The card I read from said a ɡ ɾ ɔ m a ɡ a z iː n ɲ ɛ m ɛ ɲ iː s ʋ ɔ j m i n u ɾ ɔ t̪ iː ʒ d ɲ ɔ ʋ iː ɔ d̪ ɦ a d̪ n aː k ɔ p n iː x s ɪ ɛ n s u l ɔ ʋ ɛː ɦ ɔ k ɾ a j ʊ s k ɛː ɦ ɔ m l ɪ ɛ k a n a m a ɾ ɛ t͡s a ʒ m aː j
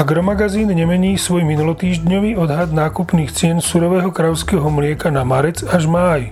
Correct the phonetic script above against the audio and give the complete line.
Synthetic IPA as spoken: a ɡ ɾ ɔ m a ɡ a z iː n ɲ ɛ m ɛ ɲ iː s ʋ ɔ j m i n u l ɔ t̪ iː ʒ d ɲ ɔ ʋ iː ɔ d̪ ɦ a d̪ n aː k u p n iː x t͡s ɪ ɛ n s u ɾ ɔ ʋ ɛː ɦ ɔ k ɾ a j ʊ s k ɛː ɦ ɔ m l ɪ ɛ k a n a m a ɾ ɛ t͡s a ʒ m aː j